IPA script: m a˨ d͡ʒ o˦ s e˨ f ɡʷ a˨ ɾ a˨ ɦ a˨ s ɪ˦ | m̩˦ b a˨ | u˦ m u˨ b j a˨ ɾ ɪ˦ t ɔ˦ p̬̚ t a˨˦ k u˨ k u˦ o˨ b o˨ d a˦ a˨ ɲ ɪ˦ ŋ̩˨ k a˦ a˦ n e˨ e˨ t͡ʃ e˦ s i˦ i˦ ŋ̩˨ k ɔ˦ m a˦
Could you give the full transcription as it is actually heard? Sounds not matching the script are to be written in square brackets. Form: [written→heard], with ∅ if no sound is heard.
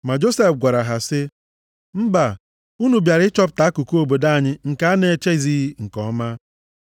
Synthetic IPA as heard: m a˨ d͡ʒ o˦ s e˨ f ɡʷ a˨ ɾ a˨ ɦ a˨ s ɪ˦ | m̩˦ b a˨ | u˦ [m→n] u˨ b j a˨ ɾ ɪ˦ [t→t͡ʃ] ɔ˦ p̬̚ t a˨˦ k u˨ k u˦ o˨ b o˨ d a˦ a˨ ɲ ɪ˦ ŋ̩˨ k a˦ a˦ n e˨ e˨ t͡ʃ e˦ [s→z] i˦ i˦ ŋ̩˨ k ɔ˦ m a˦

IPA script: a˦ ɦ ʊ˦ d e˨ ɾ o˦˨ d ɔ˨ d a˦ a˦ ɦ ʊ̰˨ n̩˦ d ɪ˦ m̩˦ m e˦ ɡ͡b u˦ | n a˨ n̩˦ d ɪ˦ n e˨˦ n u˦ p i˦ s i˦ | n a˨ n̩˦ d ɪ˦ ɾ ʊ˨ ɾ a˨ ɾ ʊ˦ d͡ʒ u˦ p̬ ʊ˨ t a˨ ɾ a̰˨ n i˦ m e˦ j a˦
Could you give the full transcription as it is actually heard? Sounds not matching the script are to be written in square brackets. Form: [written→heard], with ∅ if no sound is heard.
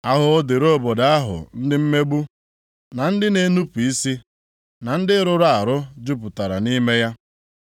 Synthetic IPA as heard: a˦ ɦ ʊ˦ d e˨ ɾ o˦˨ [d→b] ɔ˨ d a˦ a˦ ɦ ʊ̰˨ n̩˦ d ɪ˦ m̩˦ m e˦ ɡ͡b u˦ | n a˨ n̩˦ d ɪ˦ n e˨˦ n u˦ p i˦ s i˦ | n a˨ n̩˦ d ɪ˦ ɾ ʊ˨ ɾ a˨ ɾ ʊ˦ d͡ʒ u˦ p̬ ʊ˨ t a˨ ɾ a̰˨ n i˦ m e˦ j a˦

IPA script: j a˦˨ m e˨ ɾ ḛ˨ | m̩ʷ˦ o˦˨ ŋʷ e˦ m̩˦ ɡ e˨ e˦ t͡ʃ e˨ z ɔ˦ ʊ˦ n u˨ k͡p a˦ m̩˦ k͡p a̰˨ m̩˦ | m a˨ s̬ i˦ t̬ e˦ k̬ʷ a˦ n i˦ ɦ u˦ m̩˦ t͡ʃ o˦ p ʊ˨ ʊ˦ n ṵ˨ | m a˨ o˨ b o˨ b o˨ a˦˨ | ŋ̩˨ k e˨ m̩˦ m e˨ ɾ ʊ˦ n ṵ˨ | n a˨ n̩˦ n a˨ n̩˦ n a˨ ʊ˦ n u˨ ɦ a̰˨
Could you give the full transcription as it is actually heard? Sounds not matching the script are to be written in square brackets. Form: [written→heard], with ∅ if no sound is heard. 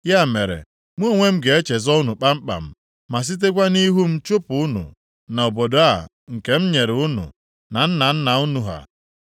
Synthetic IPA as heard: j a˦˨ m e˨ ɾ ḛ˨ | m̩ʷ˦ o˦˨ ŋʷ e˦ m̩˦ ɡ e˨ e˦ t͡ʃ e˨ z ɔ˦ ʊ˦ n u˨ k͡p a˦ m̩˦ k͡p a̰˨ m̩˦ | m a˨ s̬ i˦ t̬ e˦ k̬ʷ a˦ n i˦ ɦ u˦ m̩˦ t͡ʃ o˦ p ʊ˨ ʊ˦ n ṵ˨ | [m→n] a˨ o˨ b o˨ [b→d] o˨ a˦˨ | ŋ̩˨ k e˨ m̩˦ [m→ɲ] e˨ ɾ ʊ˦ n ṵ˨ | n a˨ n̩˦ n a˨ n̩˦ n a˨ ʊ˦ n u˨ ɦ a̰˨

